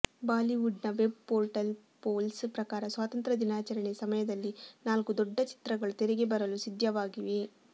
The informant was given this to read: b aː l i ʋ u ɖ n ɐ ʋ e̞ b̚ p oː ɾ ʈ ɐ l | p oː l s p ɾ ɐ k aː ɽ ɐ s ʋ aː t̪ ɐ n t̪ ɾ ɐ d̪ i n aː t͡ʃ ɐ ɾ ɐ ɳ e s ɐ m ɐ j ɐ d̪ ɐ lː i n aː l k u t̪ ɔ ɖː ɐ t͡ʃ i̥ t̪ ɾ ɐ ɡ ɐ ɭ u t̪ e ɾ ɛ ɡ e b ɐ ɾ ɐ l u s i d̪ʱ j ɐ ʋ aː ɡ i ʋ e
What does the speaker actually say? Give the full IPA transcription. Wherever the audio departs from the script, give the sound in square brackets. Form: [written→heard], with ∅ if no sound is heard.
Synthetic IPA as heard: b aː l i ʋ u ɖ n ɐ ʋ e̞ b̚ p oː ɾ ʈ ɐ l | p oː l s p ɾ ɐ k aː [ɽ→ɾ] ɐ s ʋ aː t̪ ɐ n t̪ ɾ ɐ d̪ i n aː t͡ʃ ɐ ɾ ɐ ɳ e s ɐ m ɐ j ɐ d̪ ɐ lː i n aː l k u [t̪→d̪] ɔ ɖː ɐ t͡ʃ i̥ t̪ ɾ ɐ ɡ ɐ ɭ u t̪ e ɾ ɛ ɡ e b ɐ ɾ ɐ l u s i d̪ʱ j ɐ ʋ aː ɡ i ʋ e